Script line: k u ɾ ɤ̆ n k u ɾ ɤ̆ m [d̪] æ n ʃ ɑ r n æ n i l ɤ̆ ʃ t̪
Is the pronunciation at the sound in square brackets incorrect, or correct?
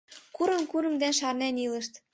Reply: correct